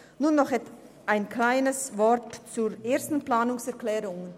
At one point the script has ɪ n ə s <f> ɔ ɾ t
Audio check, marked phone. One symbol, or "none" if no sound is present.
v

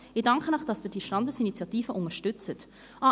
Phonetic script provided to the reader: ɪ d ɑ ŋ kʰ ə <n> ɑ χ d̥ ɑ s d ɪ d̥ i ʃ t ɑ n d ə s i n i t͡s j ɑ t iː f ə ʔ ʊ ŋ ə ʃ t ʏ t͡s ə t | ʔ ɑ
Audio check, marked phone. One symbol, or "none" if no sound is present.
n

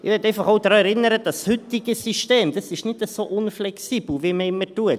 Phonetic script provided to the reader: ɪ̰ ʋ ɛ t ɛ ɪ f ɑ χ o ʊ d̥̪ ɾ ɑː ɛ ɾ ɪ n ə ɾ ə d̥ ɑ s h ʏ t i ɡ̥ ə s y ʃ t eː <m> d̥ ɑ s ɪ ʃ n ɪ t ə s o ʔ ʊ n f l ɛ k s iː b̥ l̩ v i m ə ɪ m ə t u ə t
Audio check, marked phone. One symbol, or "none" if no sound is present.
m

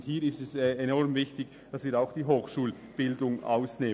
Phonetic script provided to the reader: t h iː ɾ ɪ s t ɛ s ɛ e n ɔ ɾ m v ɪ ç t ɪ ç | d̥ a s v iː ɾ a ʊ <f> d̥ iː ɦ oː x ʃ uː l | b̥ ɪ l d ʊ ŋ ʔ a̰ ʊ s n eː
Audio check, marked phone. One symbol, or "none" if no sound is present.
x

